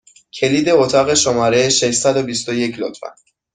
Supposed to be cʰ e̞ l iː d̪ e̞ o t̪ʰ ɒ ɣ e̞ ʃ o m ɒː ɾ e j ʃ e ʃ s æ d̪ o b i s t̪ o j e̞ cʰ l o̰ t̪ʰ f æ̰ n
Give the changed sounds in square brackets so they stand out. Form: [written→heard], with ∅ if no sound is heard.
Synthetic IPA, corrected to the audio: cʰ e̞ l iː d̪ e̞ o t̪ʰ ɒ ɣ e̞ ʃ o m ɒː ɾ e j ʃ e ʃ s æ d̪ o b i s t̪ o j e̞ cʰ l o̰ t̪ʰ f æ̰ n